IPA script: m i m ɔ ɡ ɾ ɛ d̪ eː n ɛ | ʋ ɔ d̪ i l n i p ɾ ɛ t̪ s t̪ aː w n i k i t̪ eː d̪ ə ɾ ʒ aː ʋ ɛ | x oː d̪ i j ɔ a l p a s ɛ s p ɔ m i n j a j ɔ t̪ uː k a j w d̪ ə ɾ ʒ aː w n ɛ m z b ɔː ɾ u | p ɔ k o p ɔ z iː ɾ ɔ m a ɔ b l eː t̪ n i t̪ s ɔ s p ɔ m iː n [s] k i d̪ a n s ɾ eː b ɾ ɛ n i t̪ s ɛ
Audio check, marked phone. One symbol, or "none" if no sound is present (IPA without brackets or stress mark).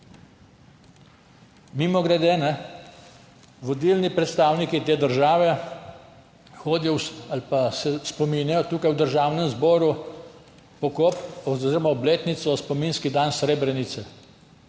s